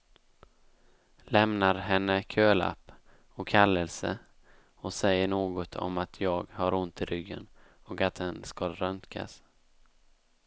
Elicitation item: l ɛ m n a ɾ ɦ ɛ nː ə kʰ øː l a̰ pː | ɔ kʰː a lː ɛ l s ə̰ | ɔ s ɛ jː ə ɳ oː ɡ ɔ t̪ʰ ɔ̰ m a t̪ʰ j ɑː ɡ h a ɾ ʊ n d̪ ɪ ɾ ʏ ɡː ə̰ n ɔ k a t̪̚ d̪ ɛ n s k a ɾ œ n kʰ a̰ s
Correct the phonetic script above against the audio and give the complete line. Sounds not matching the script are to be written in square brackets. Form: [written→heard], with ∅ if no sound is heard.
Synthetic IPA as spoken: l ɛ m n a ɾ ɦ ɛ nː ə kʰ øː l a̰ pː | ɔ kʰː a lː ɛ l s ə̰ | ɔ s ɛ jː ə ɳ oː ɡ ɔ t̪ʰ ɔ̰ m a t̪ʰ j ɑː ɡ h a ɾ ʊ n [d̪→t̪] ɪ ɾ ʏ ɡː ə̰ n ɔ k a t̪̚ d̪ ɛ n s k a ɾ œ n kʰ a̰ s